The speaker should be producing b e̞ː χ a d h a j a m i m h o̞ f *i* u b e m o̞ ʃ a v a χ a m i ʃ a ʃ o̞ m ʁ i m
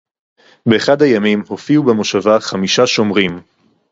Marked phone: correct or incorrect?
correct